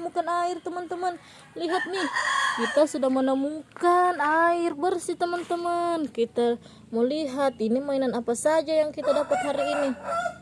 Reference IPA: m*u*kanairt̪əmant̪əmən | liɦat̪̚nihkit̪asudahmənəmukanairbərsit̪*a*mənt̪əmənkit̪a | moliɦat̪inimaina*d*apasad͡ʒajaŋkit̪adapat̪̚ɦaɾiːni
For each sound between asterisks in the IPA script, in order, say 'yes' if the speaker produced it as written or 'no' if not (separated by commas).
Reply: yes, no, no